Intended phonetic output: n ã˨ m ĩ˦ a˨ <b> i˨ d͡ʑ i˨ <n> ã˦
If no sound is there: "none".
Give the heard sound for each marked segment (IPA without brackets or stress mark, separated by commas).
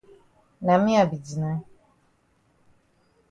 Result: b, n